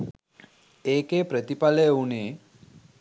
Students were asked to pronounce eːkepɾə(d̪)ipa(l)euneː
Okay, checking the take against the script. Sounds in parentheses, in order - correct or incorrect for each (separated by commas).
incorrect, correct